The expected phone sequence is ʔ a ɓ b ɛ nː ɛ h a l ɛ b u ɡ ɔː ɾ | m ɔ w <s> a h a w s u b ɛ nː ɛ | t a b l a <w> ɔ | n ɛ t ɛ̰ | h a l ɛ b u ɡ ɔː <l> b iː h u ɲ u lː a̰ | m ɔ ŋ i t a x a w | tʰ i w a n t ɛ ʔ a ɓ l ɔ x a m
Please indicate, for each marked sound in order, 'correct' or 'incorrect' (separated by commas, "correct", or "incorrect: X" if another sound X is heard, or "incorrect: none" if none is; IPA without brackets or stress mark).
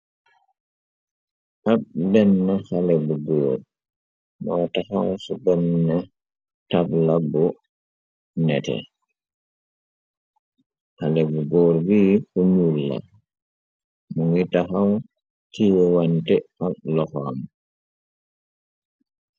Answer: incorrect: t, incorrect: b, incorrect: ɾ